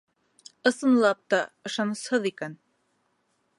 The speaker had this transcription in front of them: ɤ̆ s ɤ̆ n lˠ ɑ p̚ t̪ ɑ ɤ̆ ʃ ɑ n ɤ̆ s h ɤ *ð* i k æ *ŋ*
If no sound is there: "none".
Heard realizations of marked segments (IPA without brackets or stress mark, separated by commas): ð, n